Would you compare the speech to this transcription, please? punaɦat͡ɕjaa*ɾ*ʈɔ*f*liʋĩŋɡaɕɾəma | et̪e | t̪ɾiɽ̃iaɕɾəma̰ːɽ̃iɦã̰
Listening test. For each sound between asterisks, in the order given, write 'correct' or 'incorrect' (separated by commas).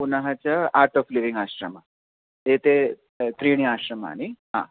correct, correct